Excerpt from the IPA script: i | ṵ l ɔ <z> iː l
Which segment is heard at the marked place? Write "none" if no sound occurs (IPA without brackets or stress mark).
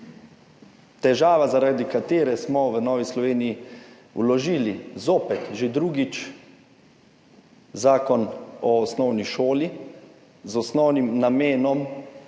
ʒ